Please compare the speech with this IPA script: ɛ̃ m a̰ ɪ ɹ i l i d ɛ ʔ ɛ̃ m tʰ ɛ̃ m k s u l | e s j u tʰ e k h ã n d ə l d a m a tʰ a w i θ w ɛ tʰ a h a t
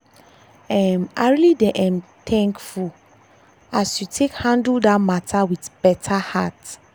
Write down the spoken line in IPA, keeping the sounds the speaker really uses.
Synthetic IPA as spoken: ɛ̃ m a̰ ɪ ɹ i l i d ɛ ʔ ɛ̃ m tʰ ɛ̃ ŋ k f u l | a s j u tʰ e k h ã n d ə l d a m a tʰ a w i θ b ɛ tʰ a h a t

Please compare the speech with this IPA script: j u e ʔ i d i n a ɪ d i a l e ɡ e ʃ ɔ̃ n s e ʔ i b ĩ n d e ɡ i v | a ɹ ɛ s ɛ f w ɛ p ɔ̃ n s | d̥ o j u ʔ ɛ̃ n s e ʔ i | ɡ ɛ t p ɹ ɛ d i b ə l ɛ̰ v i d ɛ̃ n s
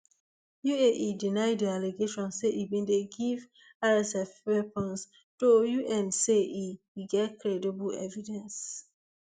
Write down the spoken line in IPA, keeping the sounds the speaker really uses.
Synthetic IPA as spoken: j u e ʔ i d i n a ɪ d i a l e ɡ e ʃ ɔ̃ n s e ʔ i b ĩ n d e ɡ i v | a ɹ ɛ s ɛ f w ɛ p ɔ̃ n s | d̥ o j u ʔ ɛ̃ n s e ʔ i | ɡ ɛ t k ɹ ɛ d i b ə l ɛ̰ v i d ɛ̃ n s

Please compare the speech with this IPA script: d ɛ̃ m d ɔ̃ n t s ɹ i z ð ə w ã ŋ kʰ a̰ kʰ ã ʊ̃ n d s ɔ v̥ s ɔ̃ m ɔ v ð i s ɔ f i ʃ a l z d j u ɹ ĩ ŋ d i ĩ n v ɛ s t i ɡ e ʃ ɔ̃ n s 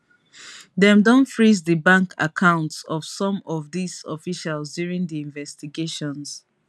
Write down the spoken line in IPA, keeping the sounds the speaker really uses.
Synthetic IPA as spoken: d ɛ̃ m d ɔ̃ n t f ɹ i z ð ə b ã ŋ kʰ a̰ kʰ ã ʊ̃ n t s ɔ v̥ s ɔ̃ m ɔ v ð i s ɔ f i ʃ a l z d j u ɹ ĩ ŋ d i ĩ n v ɛ s t i ɡ e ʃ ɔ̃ n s

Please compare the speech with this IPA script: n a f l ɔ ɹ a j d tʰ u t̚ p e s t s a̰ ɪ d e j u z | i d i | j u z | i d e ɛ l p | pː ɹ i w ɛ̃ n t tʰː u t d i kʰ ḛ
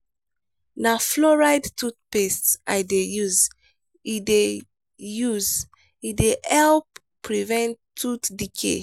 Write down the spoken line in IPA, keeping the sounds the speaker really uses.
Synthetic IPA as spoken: n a f l ɔ ɹ a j d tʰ u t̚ p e s t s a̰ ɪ d e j u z | i d e | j u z | i d e ɛ l p | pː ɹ i v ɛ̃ n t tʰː u t d i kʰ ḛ

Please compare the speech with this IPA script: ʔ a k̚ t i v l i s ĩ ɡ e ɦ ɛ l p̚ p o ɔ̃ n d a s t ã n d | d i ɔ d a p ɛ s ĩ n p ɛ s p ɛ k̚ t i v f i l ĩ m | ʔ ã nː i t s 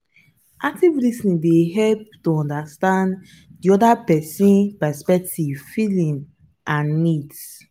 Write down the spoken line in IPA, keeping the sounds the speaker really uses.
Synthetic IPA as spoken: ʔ a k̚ t i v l i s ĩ d e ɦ ɛ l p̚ t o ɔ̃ n d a s t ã n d | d i ɔ d a p ɛ s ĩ n p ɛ s p ɛ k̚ t i v f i l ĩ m | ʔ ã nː i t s

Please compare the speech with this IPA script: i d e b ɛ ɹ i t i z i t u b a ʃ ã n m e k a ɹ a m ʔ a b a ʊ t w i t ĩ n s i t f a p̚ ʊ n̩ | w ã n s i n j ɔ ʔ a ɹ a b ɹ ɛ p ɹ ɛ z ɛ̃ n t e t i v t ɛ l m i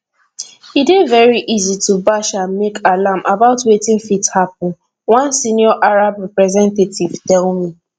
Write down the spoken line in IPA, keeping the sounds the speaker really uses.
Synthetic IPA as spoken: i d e v ɛ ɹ i ʔ i z i t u b a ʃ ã n m e k a l a m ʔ a b a ʊ t w e t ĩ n f i t h a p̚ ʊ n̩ | w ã n s i n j ɔ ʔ a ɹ a b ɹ ɛ p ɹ ɛ z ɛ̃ n t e t i v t ɛ l m i

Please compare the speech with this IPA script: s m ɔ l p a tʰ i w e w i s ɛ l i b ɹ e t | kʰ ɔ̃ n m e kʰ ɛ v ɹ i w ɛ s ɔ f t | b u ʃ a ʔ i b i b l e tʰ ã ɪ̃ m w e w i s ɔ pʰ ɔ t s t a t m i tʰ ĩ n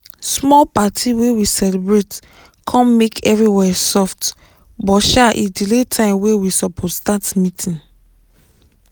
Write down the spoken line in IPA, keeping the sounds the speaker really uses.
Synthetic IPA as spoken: s m ɔ l p a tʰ i w e w i s ɛ l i b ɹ e t | kʰ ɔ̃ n m e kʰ ɛ v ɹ i w ɛ s ɔ f t | b ɔ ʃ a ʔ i d i l e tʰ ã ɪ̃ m w e w i s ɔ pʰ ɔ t s t a t m i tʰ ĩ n

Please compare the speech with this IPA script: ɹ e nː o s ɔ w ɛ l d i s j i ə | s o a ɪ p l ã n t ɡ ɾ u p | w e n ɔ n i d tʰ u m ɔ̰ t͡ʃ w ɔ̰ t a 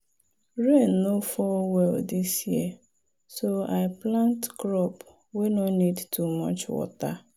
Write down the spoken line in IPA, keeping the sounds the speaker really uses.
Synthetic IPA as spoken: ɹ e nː o f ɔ w ɛ l d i s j i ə | s o a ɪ p l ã n t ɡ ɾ ɔ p | w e n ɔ n i d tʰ u m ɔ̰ t͡ʃ w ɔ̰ t a

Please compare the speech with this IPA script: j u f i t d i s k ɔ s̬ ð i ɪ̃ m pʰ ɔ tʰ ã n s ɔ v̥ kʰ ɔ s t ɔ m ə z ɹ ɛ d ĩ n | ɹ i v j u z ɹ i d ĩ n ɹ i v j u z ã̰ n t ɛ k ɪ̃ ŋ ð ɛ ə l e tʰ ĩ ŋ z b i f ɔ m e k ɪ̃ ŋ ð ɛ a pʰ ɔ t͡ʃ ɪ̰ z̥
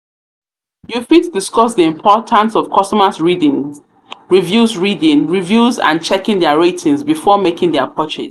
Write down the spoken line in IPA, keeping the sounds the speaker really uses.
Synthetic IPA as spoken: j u f i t d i s k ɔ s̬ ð i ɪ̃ m pʰ ɔ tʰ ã n s ɔ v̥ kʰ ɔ s t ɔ m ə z ɹ i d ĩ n | ɹ i v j u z ɹ i d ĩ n ɹ i v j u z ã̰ n t͡ʃ ɛ k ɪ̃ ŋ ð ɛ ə ɹ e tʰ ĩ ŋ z b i f ɔ m e k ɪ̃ ŋ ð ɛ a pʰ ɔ t͡ʃ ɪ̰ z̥

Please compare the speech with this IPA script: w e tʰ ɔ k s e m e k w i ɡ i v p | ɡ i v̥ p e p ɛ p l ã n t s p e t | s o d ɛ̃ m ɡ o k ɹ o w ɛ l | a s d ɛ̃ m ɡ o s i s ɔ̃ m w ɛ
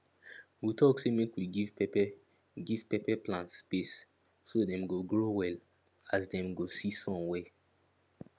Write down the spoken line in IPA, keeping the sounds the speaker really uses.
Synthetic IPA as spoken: w i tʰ ɔ k s e m e k w i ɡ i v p | ɡ i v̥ p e p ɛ p l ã n t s p e s | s o d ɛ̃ m ɡ o ɡ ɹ o w ɛ l | a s d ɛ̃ m ɡ o s i s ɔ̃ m w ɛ

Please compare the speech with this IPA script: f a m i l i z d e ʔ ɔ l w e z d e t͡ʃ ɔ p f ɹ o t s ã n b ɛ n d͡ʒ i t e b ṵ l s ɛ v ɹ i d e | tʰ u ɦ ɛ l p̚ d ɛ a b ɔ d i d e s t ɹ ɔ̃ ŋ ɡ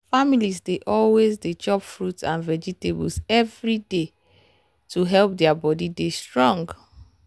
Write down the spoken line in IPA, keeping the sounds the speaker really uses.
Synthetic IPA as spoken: f a m i l i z d e ʔ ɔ l w e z d e t͡ʃ ɔ p f ɹ u t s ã n v ɛ d͡ʒ i t e b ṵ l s ɛ v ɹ i d e | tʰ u ɦ ɛ l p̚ d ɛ a b ɔ d i d e s t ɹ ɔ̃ ŋ ɡ

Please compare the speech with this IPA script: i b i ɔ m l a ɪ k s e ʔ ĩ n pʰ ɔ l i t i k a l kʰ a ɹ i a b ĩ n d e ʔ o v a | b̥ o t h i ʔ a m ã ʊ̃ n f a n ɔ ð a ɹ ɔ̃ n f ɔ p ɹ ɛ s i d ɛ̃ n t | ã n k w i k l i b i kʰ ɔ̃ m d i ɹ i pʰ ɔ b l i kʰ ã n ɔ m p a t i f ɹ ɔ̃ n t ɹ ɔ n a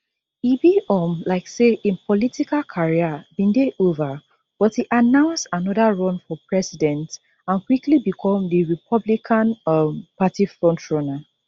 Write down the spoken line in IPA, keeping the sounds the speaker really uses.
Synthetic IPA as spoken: i b i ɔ m l a ɪ k s e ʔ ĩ n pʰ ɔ l i t i k a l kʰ a ɹ i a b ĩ n d e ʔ o v a | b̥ ɔ t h i ʔ a n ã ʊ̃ n s a n ɔ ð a ɹ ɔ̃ n f ɔ p ɹ ɛ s i d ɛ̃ n t | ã n k w i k l i b i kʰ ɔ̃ m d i ɹ i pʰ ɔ b l i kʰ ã n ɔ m p a t i f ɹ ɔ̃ n t ɹ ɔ n a

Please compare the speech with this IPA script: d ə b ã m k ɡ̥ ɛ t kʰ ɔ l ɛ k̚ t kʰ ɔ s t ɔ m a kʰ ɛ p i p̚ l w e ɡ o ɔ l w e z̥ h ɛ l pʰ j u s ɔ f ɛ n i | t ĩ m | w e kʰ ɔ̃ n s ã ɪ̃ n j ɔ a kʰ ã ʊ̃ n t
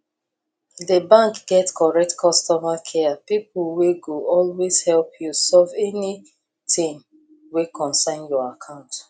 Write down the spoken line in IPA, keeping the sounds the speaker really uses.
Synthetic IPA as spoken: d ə b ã ŋ k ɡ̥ ɛ t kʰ ɔ ɹ ɛ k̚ t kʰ ɔ s t ɔ m a kʰ ɛ p i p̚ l w e ɡ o ɔ l w e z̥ h ɛ l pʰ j u s ɔ v ɛ n i | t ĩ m | w e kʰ ɔ̃ n s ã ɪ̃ n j ɔ a kʰ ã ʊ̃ n t

